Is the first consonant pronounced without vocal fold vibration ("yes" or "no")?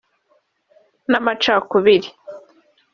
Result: no